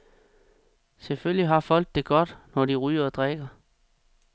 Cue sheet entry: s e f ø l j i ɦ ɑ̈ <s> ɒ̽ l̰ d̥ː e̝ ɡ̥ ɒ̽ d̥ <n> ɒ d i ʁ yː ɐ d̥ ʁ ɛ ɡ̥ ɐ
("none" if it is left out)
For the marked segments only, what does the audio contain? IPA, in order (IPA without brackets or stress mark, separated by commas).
f, n